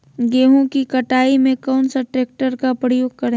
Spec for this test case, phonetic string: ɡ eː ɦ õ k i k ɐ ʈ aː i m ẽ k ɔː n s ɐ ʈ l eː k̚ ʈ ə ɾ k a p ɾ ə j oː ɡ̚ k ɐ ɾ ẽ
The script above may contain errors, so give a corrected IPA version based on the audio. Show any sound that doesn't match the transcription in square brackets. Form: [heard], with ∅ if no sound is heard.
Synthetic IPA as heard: ɡ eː ɦ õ k i k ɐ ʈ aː i m ẽ k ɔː n s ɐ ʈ [ɾ] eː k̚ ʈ ə ɾ k a p ɾ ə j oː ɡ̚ k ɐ ɾ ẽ